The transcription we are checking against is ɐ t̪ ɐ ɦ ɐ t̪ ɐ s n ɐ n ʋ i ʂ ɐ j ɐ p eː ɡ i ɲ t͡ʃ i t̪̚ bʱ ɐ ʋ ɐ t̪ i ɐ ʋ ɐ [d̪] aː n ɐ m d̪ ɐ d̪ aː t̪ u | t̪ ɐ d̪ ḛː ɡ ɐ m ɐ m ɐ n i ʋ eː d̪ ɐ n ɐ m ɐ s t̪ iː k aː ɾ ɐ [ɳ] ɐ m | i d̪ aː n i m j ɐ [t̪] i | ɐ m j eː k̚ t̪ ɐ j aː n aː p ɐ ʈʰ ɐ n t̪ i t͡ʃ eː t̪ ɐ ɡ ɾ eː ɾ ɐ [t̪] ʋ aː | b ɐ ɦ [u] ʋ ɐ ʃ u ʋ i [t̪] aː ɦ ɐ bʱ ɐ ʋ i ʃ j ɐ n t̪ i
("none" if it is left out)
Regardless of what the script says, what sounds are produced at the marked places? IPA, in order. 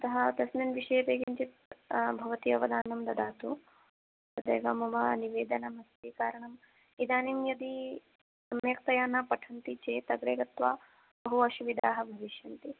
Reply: d̪, ɳ, d̪, t̪, u, d̪

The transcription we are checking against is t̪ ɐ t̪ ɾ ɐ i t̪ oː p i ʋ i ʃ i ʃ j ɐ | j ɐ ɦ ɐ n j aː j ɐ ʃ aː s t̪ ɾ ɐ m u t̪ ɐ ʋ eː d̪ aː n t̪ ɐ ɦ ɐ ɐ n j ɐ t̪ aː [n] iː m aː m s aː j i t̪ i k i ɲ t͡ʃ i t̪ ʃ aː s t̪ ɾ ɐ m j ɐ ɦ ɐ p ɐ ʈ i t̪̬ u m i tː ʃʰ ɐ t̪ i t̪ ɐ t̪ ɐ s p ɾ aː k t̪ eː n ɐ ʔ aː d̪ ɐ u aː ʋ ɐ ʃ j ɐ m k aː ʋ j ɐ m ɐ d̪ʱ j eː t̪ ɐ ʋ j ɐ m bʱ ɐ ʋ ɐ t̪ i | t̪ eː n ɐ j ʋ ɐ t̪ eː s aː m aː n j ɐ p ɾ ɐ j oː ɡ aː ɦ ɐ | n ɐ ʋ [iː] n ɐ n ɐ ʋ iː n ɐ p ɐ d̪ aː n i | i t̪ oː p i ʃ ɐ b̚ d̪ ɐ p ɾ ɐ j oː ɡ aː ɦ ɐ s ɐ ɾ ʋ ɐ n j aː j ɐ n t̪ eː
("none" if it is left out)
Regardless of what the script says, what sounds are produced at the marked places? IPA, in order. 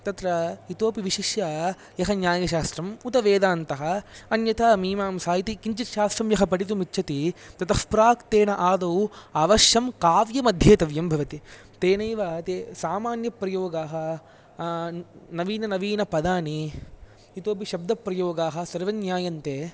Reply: m, iː

